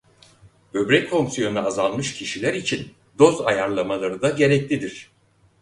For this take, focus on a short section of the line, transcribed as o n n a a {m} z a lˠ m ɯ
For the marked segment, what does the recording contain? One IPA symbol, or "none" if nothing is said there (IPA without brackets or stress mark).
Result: none